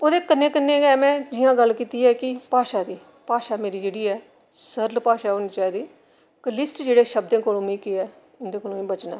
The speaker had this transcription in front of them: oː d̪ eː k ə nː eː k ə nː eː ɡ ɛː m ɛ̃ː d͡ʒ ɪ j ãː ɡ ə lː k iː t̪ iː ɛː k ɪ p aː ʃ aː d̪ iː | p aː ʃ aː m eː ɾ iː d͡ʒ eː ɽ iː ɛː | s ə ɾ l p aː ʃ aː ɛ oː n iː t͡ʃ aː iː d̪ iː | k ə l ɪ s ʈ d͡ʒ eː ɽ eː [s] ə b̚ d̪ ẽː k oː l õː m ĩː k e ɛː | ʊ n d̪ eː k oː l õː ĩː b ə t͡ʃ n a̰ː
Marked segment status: incorrect: ʃ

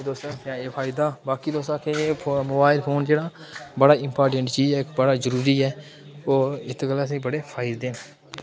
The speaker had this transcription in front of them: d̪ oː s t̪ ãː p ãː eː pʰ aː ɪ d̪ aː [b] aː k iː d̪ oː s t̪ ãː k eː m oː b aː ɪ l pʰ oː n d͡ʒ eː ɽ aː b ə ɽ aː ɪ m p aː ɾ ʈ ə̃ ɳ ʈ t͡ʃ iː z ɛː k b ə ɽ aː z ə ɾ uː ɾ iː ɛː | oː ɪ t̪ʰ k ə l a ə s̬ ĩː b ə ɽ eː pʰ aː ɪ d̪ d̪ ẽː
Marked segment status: correct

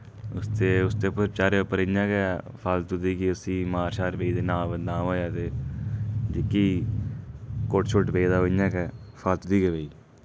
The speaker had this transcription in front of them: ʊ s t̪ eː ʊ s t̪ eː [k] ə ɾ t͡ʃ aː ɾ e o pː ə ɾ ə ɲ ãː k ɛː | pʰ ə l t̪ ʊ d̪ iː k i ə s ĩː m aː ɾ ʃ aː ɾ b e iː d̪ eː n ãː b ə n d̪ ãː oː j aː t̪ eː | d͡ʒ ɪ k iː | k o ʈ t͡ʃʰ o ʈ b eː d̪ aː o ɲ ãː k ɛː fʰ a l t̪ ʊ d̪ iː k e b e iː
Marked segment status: incorrect: p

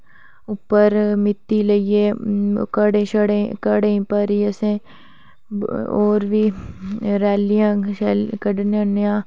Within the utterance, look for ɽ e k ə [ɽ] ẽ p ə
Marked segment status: correct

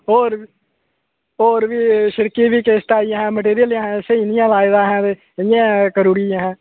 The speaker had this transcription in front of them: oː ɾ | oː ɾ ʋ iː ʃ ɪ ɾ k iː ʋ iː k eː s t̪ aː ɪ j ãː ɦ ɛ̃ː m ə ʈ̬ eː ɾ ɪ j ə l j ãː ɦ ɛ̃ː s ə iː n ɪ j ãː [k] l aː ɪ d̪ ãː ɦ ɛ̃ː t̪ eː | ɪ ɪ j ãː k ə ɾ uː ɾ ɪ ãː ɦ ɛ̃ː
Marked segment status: incorrect: none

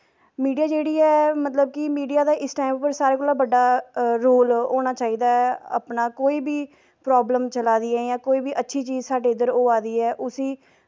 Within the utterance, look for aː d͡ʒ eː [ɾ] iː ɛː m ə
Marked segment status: incorrect: ɽ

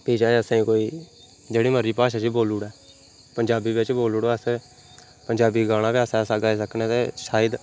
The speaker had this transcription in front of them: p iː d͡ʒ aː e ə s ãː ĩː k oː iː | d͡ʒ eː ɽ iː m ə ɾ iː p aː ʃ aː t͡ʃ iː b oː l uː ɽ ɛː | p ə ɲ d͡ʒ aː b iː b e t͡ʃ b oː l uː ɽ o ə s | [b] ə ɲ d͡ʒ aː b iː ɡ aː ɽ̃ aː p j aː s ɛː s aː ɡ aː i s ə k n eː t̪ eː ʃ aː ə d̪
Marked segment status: incorrect: p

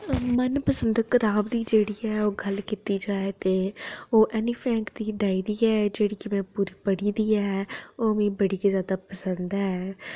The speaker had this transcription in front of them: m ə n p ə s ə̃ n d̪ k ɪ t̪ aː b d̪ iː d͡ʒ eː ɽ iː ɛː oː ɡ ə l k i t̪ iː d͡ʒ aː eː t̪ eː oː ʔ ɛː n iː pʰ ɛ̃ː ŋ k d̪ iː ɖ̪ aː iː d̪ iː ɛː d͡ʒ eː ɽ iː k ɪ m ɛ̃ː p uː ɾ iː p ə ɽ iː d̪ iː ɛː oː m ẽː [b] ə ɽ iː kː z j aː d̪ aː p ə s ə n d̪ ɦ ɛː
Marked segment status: correct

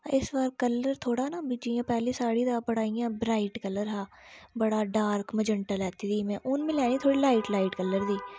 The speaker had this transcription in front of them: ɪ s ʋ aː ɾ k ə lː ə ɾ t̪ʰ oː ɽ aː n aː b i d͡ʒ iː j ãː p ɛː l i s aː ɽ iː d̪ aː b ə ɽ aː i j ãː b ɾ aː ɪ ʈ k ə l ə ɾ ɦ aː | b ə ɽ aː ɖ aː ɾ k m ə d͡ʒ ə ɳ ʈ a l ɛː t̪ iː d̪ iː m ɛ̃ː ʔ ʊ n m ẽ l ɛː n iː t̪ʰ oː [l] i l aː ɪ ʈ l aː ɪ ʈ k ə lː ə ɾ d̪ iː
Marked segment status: incorrect: ɽ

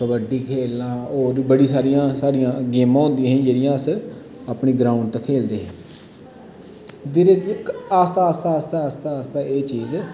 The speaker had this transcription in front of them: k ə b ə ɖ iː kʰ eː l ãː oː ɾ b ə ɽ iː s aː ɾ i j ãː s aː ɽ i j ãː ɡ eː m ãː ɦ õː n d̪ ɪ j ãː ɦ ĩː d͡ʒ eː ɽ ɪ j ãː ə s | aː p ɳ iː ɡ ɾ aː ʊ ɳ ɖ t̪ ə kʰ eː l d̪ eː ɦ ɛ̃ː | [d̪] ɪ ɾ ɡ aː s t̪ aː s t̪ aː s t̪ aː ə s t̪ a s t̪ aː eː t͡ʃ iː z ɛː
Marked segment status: correct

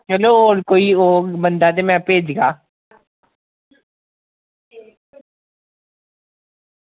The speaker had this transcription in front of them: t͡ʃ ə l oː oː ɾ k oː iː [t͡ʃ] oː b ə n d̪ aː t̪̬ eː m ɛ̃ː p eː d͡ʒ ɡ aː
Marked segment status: incorrect: none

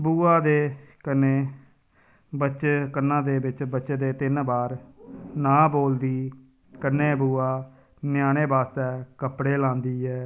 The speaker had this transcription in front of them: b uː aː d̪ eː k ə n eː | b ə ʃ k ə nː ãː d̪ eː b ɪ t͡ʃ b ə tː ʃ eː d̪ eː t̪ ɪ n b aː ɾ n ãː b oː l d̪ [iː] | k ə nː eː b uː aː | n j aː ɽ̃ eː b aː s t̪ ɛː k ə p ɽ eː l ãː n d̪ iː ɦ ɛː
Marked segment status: correct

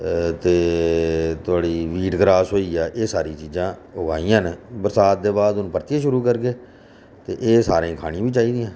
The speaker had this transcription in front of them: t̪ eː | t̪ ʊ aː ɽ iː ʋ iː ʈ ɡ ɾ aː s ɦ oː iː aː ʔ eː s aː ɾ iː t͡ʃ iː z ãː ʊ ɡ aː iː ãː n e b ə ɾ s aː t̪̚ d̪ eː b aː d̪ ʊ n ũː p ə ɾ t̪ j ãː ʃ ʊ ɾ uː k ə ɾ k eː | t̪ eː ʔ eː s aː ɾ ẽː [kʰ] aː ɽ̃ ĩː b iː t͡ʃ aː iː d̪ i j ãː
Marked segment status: correct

